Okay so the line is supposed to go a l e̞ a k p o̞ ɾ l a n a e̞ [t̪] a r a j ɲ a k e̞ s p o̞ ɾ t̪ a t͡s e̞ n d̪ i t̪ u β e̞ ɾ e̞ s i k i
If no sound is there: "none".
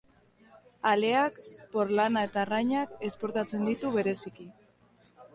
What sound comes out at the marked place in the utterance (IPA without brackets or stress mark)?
t̪